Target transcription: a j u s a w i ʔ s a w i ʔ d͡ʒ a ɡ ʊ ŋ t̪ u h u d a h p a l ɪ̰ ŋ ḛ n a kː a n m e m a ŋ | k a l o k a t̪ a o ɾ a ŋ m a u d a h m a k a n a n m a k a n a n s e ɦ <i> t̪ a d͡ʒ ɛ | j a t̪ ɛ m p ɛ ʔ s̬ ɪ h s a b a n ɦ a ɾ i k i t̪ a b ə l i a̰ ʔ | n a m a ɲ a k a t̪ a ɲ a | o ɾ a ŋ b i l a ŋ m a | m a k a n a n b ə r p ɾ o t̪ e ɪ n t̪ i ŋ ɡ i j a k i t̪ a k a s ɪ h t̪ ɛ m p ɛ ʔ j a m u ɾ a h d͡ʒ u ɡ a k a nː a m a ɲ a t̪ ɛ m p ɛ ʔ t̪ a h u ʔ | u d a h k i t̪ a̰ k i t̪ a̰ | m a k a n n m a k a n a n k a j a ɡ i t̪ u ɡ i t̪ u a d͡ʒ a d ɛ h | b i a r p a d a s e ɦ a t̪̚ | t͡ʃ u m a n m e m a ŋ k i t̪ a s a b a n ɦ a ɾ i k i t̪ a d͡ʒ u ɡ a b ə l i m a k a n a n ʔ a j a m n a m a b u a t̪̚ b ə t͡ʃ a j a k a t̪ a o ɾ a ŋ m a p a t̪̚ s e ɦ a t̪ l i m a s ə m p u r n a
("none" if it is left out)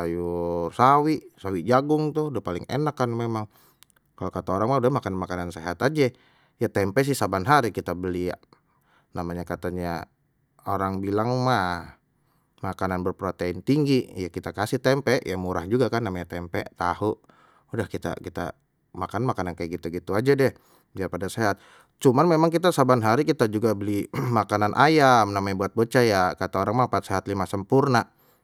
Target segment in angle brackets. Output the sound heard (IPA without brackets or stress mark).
a